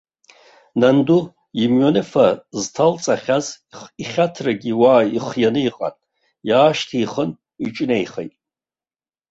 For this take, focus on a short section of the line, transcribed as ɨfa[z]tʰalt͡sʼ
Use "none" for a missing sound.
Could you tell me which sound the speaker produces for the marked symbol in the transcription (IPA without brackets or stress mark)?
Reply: z